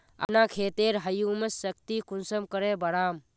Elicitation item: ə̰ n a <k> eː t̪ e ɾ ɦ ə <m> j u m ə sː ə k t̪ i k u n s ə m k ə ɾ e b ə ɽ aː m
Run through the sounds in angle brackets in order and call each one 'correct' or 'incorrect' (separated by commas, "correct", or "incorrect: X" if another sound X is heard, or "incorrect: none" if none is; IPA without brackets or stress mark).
incorrect: kʰ, incorrect: none